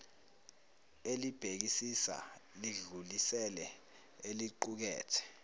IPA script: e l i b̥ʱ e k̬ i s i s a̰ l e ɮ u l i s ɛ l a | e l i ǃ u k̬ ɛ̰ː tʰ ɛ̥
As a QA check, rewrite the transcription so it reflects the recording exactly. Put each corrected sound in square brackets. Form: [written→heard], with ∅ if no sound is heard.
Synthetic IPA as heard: e l i b̥ʱ e k̬ i s i s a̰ l [e→i] ɮ u l i s ɛ l [a→ɛ] | e l i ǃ u k̬ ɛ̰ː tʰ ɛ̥